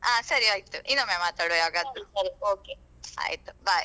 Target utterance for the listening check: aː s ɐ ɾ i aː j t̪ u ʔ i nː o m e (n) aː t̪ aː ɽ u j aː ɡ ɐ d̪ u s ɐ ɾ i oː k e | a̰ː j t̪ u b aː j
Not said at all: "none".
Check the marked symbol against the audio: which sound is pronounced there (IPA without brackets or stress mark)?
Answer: m